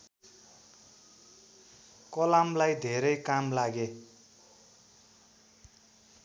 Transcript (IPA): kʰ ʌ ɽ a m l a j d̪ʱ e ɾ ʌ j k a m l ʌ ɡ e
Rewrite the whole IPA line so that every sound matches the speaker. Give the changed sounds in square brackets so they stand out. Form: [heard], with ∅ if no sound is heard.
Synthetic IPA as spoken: [k] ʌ [l] a m l a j d̪ʱ e ɾ ʌ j k a m l [a] ɡ e

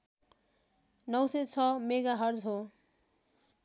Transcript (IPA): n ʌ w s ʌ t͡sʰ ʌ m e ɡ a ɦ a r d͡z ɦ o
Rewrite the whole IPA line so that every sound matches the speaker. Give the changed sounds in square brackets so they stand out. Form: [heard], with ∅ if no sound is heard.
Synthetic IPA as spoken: n ʌ w s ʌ t͡sʰ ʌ m e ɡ a ɦ [ʌ] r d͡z ɦ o

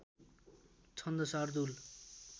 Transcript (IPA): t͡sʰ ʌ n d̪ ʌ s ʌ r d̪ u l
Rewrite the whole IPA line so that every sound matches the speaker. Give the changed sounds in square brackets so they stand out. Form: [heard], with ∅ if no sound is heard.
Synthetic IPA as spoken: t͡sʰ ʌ n d̪ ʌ s [a] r d̪ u l

